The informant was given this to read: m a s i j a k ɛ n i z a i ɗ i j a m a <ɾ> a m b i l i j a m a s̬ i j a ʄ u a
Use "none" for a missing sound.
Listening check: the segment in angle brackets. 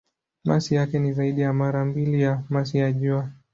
ɾ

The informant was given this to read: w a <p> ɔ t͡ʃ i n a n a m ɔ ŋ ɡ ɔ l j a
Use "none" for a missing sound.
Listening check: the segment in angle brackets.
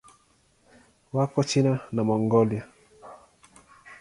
k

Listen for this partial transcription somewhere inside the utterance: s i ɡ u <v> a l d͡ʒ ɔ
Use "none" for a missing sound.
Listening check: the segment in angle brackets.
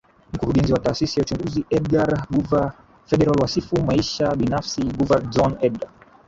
v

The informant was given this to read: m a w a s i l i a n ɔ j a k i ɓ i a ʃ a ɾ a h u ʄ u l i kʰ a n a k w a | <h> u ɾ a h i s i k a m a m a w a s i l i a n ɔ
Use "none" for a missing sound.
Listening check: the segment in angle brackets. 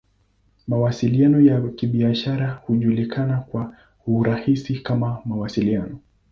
h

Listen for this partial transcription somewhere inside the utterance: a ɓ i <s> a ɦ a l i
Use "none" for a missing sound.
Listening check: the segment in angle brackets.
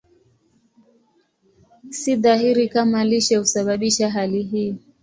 ʃ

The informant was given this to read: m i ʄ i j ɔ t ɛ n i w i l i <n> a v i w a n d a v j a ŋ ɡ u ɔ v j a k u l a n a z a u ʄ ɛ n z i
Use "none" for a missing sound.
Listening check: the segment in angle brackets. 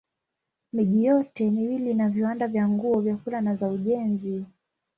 n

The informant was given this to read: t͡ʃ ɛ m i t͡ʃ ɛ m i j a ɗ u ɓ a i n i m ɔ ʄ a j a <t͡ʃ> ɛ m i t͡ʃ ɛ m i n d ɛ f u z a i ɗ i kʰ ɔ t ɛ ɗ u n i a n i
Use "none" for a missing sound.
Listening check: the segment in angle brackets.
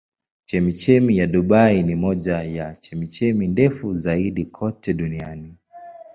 t͡ʃ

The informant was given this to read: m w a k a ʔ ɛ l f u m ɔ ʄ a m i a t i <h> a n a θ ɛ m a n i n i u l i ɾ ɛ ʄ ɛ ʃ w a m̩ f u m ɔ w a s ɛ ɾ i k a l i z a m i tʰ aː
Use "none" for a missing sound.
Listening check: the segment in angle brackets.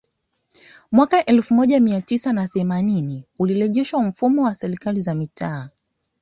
s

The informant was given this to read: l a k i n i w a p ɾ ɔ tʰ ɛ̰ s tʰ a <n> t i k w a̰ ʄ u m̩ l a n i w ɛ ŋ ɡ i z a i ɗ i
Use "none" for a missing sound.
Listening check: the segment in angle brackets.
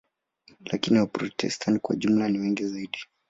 n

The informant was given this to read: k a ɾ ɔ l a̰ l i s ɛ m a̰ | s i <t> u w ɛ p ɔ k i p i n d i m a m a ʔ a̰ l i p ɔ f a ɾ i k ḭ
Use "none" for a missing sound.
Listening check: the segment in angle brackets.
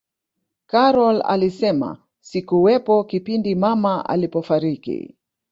k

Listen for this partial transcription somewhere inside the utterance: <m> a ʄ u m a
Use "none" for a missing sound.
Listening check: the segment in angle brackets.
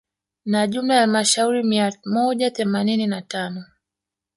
n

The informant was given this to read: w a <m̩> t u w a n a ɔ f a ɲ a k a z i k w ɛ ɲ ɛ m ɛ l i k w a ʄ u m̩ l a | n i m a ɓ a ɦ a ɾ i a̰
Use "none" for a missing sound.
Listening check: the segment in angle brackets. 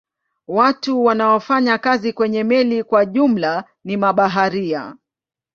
none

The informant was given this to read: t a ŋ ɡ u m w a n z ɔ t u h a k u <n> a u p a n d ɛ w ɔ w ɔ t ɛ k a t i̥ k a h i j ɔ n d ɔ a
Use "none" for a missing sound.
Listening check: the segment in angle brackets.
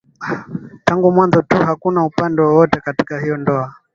n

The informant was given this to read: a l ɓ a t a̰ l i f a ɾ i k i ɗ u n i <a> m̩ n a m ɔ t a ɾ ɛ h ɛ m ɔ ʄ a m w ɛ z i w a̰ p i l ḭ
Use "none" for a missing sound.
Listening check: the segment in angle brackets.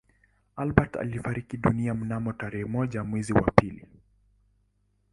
a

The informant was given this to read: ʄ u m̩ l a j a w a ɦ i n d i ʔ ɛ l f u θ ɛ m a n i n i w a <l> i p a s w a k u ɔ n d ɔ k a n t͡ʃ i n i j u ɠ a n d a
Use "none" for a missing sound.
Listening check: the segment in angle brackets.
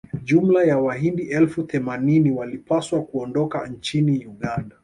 l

